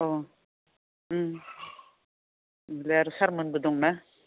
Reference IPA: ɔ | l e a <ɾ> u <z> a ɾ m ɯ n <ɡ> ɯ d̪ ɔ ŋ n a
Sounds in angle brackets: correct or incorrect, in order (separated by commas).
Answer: correct, incorrect, incorrect